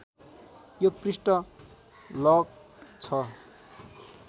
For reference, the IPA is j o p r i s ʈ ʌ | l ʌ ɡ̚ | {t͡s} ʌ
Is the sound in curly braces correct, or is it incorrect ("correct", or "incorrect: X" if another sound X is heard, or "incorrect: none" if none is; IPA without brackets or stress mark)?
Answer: incorrect: t͡sʰ